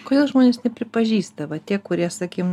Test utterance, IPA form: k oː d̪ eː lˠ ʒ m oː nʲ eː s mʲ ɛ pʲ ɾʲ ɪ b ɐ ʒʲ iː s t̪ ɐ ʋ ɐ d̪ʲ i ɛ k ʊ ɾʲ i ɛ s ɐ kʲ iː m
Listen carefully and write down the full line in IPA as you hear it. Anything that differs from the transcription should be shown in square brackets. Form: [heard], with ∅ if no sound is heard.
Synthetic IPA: k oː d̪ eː lˠ ʒ m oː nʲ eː s [nʲ] ɛ pʲ ɾʲ ɪ [p] ɐ ʒʲ iː s t̪ ɐ ʋ ɐ [t̪ʲ] i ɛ k ʊ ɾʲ i ɛ s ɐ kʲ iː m